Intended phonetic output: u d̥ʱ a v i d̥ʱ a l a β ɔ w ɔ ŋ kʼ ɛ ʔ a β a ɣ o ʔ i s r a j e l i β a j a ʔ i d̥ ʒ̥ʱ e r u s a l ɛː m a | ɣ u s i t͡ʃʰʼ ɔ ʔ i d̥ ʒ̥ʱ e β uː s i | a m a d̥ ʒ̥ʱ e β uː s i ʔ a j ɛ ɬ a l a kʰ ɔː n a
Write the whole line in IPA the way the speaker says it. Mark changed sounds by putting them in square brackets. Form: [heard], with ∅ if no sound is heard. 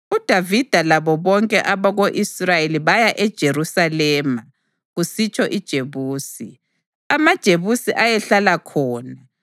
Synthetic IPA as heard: u d̥ʱ a v i d̥ʱ a l a β ɔ [β] ɔ ŋ kʼ ɛ ʔ a β a ɣ o ʔ i s r a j e l i β a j a ʔ [ɛ] d̥ ʒ̥ʱ e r u s a l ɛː m a | ɣ u s i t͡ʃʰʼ ɔ ʔ i d̥ ʒ̥ʱ e β uː s i | a m a d̥ ʒ̥ʱ e β [u] s i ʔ a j ɛ ɬ a l a kʰ ɔː n a